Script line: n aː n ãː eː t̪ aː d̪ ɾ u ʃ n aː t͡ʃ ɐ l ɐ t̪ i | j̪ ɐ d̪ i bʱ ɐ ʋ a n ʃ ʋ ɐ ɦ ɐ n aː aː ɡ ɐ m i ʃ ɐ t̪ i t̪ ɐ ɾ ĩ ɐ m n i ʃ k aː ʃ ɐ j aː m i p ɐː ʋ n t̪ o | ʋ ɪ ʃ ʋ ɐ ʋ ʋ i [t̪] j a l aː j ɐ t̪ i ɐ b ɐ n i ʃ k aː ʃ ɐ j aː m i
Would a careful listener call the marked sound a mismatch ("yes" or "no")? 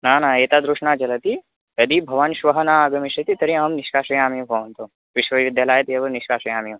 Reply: yes